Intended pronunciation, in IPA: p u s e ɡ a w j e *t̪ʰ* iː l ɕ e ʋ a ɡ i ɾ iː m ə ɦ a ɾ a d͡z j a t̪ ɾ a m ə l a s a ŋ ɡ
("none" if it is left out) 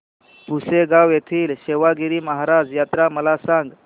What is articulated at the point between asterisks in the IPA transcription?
t̪ʰ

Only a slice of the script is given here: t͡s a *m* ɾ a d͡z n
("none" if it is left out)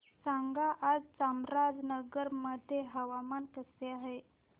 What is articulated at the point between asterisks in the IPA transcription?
m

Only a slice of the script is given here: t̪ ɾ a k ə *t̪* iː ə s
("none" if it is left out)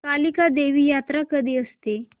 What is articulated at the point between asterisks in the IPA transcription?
d̪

